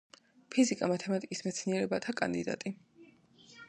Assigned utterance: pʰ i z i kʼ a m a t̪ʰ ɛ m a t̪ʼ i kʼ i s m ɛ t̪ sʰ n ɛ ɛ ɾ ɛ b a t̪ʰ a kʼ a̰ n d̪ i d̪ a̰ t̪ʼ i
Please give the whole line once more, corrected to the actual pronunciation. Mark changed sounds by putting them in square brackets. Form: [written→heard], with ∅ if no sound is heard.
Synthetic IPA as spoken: pʰ i z i kʼ a m a t̪ʰ ɛ m a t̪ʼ i kʼ i s m ɛ t̪ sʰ n [ɛ→i] ɛ ɾ ɛ b a t̪ʰ a kʼ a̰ n d̪ i d̪ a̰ t̪ʼ i